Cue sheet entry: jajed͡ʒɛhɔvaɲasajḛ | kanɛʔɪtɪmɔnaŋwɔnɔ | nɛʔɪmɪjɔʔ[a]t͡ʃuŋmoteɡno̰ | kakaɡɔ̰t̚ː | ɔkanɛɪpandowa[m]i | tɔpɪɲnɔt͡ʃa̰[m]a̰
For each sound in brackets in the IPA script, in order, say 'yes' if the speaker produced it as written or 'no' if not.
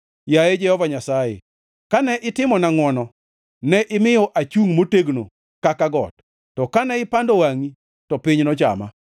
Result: yes, no, yes

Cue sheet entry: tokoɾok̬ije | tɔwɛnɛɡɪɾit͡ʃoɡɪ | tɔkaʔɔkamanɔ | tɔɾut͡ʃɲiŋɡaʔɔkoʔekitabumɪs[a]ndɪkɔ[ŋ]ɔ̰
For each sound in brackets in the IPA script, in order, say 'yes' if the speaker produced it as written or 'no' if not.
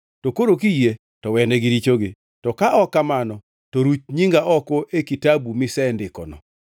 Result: no, no

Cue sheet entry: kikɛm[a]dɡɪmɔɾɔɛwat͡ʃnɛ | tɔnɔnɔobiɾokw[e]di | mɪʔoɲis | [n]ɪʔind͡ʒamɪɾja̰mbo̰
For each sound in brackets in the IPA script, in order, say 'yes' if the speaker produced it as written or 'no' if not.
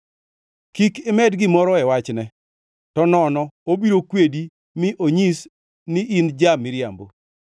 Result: no, yes, yes

